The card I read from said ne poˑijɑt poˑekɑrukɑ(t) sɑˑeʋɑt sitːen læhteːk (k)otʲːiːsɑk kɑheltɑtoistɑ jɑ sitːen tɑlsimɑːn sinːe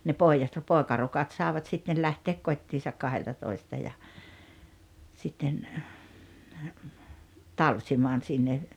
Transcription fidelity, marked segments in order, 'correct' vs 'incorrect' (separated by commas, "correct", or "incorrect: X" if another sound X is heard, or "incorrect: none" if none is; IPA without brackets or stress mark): correct, correct